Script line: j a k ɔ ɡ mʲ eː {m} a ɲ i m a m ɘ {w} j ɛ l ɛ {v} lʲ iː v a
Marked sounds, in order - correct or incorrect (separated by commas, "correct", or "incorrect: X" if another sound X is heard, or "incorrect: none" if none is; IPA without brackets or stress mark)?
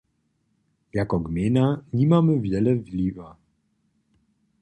incorrect: n, incorrect: v, correct